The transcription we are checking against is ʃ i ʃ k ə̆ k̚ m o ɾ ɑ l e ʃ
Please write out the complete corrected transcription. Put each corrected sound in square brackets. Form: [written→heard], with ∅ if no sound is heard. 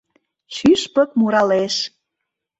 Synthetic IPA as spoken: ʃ [i→y] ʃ [k→p] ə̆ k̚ m [o→u] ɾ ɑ l e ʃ

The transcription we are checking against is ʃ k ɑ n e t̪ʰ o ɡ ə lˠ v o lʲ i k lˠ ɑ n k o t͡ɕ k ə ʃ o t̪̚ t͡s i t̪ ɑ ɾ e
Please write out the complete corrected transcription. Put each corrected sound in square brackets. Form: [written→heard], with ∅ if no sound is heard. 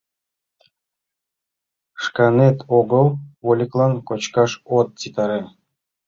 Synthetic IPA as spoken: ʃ k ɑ n e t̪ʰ o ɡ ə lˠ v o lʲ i k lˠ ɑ n k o t͡ɕ k [ə→ɑ] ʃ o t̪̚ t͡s i t̪ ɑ ɾ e

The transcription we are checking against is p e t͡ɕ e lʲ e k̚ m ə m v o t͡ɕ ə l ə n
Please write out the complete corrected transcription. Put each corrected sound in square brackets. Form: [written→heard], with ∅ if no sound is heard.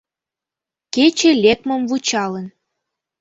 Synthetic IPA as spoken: [p→k] e t͡ɕ e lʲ e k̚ m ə m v [o→u] t͡ɕ [ə→ɑ] l ə n

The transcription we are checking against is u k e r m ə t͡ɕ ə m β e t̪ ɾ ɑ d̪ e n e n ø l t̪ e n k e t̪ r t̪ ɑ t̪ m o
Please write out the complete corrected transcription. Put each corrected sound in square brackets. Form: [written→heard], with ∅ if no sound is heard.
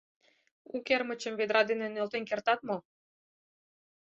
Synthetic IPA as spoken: u k e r m ə t͡ɕ ə m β e [t̪→d̪] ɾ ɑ d̪ e n e n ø l t̪ e n k e [t̪→∅] r t̪ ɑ t̪ m o

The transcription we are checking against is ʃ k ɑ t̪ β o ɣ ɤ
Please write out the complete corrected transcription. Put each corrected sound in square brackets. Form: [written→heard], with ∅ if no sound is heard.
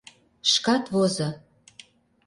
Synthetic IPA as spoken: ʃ k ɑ t̪ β o [ɣ→z] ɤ

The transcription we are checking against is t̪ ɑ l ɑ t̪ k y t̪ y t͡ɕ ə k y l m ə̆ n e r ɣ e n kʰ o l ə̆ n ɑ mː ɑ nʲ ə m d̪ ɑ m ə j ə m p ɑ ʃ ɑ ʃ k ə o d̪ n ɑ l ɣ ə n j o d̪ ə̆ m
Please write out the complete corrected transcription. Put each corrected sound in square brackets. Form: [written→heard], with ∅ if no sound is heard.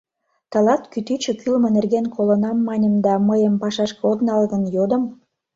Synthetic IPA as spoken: t̪ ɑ l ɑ t̪ k y t̪ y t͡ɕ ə k y l m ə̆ n e r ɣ e n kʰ o l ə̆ n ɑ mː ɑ nʲ ə m d̪ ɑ m ə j ə m p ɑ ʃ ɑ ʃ k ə o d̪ n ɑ l ɣ ə n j o d̪ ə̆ m

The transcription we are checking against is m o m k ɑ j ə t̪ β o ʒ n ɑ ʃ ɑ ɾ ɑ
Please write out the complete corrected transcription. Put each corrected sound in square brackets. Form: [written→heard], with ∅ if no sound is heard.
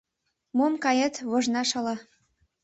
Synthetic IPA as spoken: m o m k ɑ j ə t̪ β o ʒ n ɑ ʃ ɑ [ɾ→l] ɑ

